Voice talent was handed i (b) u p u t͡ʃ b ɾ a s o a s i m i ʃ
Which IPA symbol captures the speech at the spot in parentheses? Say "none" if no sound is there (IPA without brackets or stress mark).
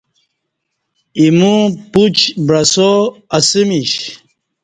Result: m